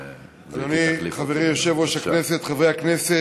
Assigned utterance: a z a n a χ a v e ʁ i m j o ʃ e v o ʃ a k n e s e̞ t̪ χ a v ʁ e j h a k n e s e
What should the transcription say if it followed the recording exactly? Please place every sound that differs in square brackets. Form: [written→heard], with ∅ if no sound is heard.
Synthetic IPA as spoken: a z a n [a→i] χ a v e ʁ i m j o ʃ e v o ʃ a k n e s e̞ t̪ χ a v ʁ e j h a k n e s e

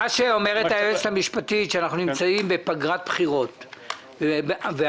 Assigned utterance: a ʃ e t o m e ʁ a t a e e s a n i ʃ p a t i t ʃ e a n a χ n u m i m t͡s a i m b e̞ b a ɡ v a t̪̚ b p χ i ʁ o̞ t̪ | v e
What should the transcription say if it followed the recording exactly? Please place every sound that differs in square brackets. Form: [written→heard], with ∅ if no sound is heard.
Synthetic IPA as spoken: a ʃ e [t→∅] o m e ʁ [a→e] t a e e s a [n→m] i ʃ p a t i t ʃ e a n a χ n u [m→n] i m t͡s a i m b e̞ [b→p] a ɡ [v→ʁ] a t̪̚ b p χ i ʁ o̞ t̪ | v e

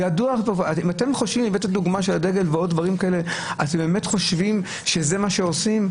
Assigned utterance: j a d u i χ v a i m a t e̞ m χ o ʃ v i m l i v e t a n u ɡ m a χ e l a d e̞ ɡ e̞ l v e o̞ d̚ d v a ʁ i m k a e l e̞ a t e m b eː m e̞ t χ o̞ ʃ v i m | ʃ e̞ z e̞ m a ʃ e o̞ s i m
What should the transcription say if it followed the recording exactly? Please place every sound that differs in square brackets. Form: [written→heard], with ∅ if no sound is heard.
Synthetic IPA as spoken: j a d u [i→a] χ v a i m a t e̞ m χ o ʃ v i m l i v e t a [n→d] u ɡ m a [χ→ʃ] e l a d e̞ ɡ e̞ l v e o̞ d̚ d v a ʁ i m k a e l e̞ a t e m b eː m e̞ t χ o̞ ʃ v i m | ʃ e̞ z e̞ m a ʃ e o̞ s i m

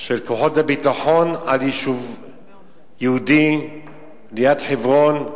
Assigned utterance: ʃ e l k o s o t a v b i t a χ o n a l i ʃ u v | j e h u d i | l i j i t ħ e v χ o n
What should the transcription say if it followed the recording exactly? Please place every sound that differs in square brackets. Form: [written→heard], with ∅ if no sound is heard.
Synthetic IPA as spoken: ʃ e l k o [s→ħ] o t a [v→∅] b i t a [χ→ħ] o n a l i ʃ u v | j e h u d i | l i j [i→a] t ħ e v [χ→ʁ] o n

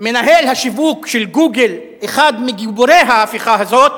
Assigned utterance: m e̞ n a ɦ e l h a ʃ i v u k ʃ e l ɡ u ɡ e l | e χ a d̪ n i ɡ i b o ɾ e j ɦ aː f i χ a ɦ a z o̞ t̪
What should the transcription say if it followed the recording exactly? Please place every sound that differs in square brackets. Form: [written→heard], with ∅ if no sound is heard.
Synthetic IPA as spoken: m e̞ n a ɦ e l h a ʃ i v u k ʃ e l ɡ u ɡ e l | e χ a d̪ [n→m] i ɡ i b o ɾ e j ɦ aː f i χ a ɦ a z o̞ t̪

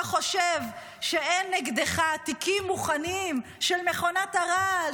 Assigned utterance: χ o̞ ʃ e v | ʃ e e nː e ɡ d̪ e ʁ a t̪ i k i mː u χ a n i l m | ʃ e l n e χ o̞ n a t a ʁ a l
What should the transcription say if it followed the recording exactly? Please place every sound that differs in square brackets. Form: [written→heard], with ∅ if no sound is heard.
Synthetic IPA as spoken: χ o̞ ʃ e v | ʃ e e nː e ɡ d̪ e [ʁ→χ] a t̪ i k i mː u χ a n i [l→∅] m | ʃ e l [n→m] e χ o̞ n a t a ʁ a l

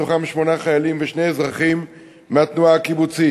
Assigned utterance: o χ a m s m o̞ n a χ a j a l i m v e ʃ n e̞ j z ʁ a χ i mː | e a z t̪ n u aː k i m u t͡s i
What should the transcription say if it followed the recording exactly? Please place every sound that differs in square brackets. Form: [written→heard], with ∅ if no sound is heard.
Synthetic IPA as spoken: o χ a m [s→ʃ] m o̞ n a χ a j a l i m v e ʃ n e̞ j z ʁ a χ i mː | e a [z→∅] t̪ n u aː k i [m→b] u t͡s i

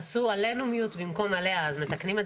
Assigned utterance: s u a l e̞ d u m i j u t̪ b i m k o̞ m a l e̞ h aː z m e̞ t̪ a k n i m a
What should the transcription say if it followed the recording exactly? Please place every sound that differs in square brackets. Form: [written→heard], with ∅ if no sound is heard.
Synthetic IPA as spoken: s u a l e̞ [d→n] u m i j u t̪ b i m k o̞ m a l e̞ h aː z m e̞ t̪ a k n i m [a→e]

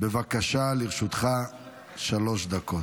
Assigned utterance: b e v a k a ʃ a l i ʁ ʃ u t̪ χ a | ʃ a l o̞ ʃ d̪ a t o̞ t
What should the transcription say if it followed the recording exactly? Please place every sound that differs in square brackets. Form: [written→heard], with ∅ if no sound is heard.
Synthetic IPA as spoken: b e v a k a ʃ a l i ʁ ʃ u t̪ χ a | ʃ a l o̞ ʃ d̪ a [t→k] o̞ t

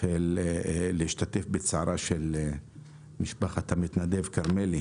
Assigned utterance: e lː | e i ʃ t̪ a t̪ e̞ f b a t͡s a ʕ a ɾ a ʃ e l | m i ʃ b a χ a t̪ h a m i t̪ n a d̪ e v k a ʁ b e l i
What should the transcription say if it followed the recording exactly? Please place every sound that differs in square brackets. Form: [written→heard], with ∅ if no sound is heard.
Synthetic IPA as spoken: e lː | e i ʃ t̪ a t̪ e̞ f b [a→e] t͡s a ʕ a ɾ a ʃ e l | m i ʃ b a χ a t̪ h a m i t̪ n a d̪ e v k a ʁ [b→m] e l i

